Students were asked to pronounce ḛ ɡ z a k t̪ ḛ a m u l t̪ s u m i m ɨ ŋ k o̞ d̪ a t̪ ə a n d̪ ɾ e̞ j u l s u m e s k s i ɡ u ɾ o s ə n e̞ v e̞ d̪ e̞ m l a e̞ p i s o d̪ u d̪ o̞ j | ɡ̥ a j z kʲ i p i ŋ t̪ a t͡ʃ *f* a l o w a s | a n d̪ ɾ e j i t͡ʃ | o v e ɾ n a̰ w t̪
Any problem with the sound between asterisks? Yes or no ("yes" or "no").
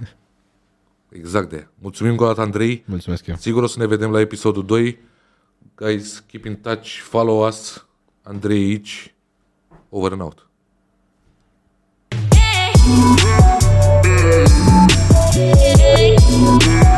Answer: no